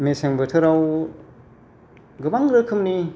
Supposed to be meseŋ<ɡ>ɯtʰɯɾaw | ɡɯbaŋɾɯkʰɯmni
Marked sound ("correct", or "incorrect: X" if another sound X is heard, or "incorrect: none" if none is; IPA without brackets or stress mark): incorrect: b